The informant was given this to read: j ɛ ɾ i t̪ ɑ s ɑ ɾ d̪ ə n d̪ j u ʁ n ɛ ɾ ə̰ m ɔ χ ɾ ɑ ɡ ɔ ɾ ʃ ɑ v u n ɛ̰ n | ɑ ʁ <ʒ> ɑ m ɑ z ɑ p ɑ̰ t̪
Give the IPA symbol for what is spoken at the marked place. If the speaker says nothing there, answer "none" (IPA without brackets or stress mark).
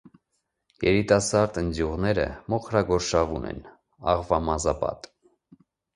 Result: v